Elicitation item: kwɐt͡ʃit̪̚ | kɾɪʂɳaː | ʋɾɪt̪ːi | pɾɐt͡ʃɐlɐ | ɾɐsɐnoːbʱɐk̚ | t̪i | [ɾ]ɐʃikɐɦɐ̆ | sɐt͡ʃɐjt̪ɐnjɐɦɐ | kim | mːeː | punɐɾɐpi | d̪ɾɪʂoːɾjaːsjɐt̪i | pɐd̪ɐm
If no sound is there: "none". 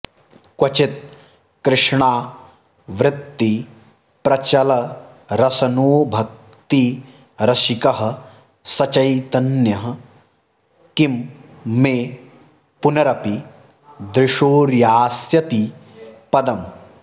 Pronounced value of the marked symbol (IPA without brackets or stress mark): ɾ